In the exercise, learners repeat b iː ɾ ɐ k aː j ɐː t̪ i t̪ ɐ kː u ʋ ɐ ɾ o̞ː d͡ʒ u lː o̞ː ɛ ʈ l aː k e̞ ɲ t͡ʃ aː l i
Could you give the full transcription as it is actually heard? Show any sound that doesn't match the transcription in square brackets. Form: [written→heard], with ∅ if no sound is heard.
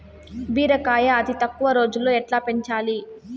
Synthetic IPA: b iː ɾ ɐ k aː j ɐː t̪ i t̪ ɐ kː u ʋ ɐ ɾ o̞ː d͡ʒ u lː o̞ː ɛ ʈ l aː [k→p] e̞ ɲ t͡ʃ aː l i